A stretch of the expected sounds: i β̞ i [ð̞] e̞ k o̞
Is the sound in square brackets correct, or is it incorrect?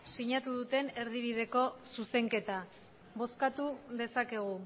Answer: correct